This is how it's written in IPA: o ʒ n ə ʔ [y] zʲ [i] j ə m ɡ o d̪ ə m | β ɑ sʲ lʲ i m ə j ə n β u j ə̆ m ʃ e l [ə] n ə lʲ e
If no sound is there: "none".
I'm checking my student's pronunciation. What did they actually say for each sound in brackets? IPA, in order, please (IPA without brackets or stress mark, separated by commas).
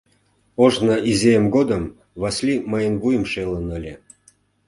i, e, ə